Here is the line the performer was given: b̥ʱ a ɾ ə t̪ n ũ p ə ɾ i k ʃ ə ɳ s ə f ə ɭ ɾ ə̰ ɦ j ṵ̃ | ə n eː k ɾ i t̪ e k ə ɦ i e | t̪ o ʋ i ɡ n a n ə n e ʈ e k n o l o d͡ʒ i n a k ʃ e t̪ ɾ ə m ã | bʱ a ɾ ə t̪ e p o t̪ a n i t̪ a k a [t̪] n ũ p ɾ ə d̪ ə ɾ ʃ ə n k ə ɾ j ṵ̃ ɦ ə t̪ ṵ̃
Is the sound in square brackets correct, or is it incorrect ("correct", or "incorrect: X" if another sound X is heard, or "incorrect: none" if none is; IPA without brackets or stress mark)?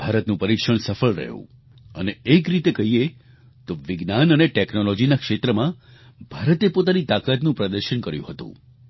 correct